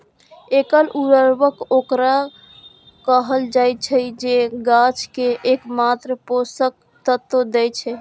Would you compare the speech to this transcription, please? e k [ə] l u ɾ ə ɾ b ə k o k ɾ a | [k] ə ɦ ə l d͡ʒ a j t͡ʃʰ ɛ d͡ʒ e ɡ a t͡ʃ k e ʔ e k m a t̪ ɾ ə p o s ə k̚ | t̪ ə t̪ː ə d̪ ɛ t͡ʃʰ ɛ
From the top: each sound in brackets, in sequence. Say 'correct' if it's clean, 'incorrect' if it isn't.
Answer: correct, correct

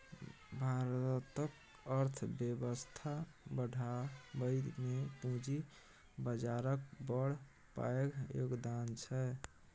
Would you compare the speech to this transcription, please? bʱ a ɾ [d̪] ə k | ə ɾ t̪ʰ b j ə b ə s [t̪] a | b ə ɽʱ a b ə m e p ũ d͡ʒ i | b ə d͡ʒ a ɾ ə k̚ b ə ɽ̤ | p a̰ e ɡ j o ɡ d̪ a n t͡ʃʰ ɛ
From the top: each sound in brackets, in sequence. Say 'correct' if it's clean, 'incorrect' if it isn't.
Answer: incorrect, incorrect

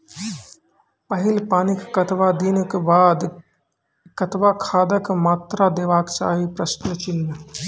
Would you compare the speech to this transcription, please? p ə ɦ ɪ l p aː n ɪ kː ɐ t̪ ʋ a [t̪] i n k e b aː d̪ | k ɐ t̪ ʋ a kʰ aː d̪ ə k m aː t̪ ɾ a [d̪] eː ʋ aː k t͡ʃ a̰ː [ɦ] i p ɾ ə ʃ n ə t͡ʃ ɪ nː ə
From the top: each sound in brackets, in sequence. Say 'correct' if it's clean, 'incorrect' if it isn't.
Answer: incorrect, correct, correct

